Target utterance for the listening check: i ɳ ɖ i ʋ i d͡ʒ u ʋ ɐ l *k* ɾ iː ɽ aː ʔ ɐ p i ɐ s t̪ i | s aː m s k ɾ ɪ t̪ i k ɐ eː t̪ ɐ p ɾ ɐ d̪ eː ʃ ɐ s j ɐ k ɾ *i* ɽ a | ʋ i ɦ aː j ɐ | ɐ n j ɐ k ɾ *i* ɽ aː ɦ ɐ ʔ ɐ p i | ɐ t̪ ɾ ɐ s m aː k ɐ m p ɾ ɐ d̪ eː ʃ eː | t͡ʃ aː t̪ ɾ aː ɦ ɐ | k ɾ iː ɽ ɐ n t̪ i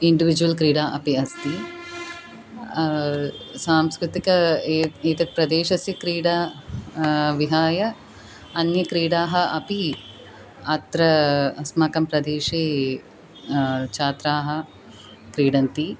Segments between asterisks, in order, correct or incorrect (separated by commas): correct, incorrect, incorrect